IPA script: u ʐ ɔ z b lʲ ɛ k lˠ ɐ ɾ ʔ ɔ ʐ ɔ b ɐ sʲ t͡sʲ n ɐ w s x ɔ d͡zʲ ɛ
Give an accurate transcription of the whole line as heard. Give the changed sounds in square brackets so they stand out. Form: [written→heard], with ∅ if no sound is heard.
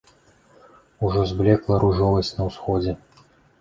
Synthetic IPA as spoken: u ʐ ɔ z b lʲ ɛ k lˠ ɐ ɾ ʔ [ɔ→u] ʐ ɔ [b→v] ɐ sʲ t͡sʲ n ɐ w s x ɔ d͡zʲ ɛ